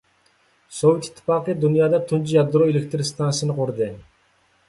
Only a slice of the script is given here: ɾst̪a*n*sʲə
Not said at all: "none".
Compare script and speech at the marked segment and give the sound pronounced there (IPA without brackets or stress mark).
n